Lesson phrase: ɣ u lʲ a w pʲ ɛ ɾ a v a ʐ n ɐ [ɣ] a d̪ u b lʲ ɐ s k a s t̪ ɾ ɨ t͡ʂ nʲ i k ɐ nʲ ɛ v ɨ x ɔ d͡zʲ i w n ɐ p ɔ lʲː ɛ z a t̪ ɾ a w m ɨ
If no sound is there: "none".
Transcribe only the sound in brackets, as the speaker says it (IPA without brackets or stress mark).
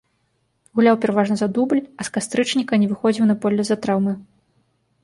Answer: z